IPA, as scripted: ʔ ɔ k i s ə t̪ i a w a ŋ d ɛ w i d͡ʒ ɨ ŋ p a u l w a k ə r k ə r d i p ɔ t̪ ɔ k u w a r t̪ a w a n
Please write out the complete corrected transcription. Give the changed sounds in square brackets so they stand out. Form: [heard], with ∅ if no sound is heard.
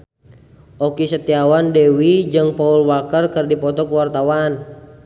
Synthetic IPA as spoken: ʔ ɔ k i s ə t̪ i a w a [n] d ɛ w i d͡ʒ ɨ ŋ p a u l w a k ə r k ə r d i p ɔ t̪ ɔ k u w a r t̪ a w a n